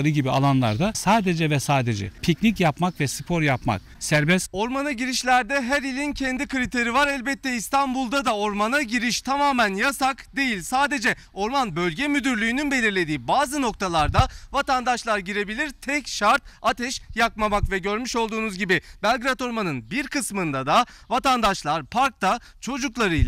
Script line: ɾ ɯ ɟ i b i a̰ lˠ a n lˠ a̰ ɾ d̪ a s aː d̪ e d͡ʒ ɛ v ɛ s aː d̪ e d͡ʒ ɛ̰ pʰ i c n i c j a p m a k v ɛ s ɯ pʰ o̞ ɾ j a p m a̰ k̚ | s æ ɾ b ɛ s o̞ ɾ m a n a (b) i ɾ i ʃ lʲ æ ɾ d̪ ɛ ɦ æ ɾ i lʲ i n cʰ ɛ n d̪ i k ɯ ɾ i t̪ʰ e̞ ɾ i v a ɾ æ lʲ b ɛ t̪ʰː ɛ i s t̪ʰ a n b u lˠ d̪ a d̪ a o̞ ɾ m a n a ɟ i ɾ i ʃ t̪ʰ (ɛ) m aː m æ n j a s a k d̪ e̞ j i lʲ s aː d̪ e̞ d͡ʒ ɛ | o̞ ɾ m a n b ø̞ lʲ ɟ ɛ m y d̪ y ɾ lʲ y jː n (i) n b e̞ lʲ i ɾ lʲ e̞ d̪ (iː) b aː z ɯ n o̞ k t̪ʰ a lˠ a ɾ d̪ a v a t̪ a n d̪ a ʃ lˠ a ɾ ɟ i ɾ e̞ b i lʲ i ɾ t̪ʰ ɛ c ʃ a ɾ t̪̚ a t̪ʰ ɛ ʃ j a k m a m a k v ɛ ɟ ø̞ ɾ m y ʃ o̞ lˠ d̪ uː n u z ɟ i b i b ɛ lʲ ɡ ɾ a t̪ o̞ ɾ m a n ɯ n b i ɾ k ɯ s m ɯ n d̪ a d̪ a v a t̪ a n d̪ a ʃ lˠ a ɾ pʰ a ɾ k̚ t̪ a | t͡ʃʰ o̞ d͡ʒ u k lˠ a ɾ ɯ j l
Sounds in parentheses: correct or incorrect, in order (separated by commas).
incorrect, incorrect, incorrect, correct